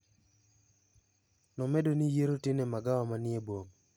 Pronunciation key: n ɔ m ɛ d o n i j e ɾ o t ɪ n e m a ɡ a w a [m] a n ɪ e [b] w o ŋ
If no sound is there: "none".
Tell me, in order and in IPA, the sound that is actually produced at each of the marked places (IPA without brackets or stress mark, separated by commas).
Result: m, b